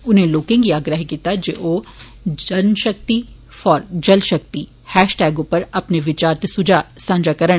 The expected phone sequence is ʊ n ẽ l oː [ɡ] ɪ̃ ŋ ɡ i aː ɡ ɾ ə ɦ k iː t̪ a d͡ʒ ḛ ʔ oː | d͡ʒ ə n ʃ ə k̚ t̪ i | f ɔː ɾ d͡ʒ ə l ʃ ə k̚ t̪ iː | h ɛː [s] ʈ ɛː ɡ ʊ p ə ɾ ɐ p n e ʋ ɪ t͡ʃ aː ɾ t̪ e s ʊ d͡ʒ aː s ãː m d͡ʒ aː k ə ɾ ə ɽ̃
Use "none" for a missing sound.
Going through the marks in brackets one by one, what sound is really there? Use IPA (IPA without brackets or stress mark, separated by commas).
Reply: k, ʃ